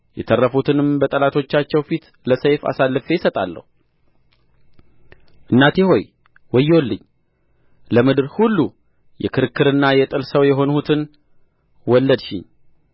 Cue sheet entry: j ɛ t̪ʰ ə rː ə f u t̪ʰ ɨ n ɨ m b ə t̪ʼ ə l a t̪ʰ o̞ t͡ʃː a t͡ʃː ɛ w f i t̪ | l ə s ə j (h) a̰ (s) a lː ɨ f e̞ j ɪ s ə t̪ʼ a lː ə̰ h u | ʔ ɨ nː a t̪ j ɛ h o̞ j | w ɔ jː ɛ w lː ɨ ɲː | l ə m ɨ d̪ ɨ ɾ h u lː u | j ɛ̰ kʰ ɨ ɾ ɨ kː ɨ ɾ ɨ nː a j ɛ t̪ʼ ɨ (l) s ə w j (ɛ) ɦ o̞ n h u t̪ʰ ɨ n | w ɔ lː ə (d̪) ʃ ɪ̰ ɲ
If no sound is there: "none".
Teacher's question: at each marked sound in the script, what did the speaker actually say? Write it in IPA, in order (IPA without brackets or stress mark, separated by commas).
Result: f, s, l, ɛ, d̪